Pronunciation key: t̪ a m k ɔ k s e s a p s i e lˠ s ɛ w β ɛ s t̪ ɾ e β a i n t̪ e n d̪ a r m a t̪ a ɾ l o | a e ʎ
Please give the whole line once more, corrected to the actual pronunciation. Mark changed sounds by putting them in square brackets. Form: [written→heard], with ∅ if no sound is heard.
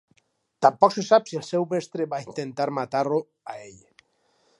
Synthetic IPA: t̪ a m [k→p] ɔ k s e s a p s i e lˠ s ɛ w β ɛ s t̪ ɾ e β a i n t̪ e n [d̪→t̪] a [r→ɾ] m a t̪ a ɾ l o | a e ʎ